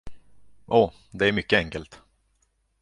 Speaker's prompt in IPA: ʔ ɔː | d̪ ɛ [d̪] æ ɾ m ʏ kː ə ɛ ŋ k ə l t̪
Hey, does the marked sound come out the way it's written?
no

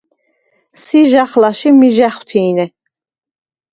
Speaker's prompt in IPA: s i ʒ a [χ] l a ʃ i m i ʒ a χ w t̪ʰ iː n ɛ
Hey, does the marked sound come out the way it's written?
yes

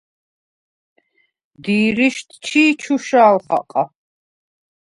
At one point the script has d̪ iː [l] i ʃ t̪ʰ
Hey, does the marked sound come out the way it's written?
no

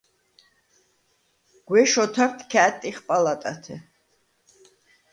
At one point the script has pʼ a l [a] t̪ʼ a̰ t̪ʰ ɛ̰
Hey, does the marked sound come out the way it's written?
yes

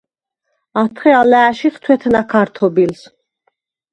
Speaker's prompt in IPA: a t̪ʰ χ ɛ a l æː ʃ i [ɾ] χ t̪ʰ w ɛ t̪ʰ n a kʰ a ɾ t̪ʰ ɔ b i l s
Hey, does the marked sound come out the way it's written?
no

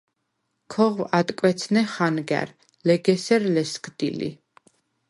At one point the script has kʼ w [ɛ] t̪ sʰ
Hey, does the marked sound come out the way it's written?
yes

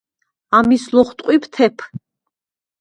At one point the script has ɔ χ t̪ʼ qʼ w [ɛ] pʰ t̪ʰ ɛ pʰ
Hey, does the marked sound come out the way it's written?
no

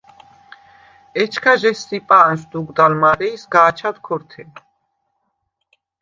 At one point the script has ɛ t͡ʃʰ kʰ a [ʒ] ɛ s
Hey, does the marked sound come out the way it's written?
yes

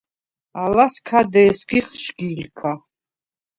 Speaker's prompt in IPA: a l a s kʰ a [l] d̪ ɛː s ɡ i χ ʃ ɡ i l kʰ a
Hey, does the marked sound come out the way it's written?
no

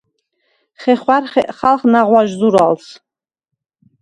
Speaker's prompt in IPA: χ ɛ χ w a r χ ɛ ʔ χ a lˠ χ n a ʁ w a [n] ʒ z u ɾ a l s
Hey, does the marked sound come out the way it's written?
no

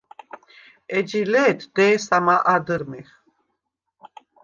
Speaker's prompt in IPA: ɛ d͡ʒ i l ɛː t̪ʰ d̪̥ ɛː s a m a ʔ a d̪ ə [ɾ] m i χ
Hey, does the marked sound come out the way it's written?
yes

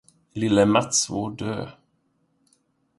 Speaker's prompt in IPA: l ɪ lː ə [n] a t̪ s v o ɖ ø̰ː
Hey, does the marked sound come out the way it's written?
no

